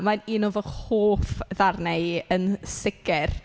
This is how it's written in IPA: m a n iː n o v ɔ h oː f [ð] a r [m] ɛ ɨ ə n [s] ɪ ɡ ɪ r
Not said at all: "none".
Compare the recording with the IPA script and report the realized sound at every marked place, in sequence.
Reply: ð, n, s

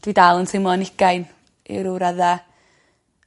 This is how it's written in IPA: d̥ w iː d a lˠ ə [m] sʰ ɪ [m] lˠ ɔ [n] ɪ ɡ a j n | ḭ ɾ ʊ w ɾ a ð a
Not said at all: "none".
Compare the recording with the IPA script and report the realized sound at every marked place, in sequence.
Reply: n, m, n

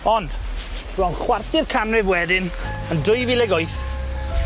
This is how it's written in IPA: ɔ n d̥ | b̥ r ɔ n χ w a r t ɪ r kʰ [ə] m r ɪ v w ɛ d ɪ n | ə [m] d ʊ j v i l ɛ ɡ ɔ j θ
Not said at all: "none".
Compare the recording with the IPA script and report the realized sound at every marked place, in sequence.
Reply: a, n

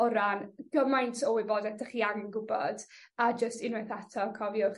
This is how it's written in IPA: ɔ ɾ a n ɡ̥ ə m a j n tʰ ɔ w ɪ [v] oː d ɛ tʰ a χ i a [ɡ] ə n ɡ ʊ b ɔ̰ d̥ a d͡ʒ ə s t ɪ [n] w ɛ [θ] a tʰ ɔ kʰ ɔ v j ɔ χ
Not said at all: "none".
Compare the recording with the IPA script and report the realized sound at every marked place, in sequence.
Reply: b, ŋ, n, θ

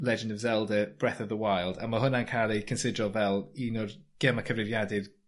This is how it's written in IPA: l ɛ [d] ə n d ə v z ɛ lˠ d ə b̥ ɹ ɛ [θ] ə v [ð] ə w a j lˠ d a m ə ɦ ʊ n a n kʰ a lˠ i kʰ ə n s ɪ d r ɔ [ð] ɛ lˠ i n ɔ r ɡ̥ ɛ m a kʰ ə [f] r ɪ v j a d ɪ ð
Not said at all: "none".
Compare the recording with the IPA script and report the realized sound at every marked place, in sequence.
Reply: d͡ʒ, θ, ð, v, v

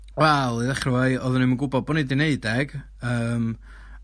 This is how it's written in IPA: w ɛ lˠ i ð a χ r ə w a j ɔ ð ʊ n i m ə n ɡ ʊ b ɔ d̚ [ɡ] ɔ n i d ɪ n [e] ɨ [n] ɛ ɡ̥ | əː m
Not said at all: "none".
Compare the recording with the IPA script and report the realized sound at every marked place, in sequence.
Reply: b, e, d

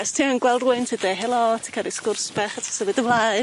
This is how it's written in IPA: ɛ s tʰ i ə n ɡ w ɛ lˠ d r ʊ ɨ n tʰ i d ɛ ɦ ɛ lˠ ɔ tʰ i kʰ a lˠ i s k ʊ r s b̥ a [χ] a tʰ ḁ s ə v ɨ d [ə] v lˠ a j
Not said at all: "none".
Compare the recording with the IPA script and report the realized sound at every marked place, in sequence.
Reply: χ, ə

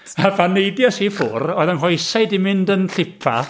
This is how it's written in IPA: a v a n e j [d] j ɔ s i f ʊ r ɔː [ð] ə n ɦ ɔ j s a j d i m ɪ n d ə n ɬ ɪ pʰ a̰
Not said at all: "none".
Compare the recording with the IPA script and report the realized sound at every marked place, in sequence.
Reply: d, ð

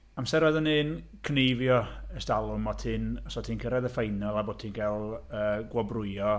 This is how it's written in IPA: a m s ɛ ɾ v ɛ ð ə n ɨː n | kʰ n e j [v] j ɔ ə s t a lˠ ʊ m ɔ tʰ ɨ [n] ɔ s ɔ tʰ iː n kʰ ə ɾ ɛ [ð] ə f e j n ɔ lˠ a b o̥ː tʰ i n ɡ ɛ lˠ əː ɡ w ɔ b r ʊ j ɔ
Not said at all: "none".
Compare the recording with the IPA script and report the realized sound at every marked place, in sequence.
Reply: v, n, ð

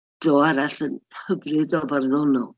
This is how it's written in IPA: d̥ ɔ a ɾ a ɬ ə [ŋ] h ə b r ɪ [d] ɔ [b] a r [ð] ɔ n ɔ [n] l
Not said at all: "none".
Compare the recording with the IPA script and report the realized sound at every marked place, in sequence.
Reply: n, d, b, ð, none

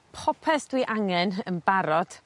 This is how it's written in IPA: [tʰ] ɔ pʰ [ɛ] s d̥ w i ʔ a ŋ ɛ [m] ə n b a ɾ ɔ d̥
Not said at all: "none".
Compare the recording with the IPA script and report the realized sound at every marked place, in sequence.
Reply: pʰ, ɛ, n

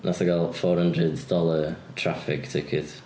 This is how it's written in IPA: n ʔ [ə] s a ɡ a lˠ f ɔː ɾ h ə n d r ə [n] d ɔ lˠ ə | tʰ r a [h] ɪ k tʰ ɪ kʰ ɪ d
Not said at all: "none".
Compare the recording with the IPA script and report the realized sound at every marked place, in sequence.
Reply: a, d, f

